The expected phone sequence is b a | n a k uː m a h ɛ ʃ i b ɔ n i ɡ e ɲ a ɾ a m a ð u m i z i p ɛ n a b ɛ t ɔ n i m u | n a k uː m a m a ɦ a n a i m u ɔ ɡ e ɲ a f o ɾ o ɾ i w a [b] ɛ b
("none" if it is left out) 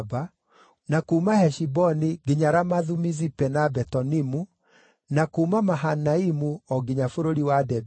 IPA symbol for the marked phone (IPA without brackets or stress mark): d